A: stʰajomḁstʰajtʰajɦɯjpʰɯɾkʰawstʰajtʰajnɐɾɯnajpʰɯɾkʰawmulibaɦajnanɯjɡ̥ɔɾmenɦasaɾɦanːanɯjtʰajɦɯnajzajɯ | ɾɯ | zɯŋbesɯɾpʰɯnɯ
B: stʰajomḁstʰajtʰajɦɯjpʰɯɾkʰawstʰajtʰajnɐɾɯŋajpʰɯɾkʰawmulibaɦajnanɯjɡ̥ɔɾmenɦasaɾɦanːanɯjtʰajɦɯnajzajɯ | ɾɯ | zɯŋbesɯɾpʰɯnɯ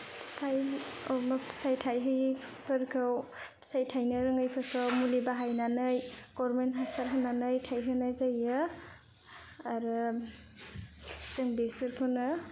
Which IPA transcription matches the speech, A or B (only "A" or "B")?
B